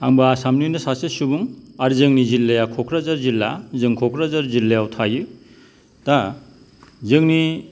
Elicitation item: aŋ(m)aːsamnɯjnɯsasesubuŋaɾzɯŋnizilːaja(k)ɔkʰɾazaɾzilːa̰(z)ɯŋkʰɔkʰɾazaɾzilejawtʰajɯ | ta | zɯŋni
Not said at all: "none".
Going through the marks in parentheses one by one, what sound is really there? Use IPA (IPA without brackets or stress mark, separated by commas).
b, kʰ, z